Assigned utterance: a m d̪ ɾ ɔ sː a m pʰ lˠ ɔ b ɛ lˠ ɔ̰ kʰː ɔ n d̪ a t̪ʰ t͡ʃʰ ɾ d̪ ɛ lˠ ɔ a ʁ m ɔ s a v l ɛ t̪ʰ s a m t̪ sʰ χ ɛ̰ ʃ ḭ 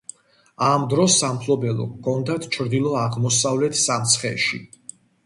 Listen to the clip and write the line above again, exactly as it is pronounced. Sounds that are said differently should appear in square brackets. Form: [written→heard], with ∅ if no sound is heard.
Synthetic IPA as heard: a m d̪ ɾ ɔ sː a m pʰ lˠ ɔ b ɛ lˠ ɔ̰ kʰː ɔ n d̪ a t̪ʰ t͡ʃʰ ɾ d̪ [ɛ→i] lˠ ɔ a ʁ m ɔ s a v l ɛ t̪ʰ s a m t̪ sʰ χ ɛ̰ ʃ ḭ